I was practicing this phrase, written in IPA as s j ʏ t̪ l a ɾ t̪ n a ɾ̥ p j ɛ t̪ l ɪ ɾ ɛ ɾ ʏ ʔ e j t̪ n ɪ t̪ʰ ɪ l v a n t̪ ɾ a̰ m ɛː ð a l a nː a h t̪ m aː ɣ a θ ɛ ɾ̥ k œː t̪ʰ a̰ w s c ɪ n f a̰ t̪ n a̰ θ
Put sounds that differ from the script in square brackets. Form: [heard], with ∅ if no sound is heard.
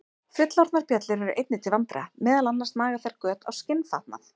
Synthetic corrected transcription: [f] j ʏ t̪ l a ɾ t̪ n a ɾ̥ p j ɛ t̪ l ɪ ɾ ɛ ɾ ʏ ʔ e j t̪ n ɪ t̪ʰ ɪ l v a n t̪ ɾ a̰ m ɛː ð a l a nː a [s] t̪ m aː ɣ a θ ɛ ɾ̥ k œː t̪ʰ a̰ w s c ɪ n f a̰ t̪ n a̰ θ